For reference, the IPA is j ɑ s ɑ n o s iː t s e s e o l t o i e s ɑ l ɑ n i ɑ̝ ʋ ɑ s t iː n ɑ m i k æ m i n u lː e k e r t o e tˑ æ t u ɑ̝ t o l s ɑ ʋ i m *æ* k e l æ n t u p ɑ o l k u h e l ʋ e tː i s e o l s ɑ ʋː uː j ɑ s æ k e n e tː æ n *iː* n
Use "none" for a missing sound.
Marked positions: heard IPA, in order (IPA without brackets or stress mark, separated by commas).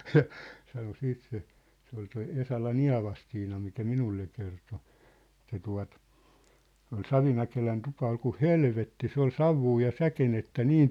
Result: æ, iː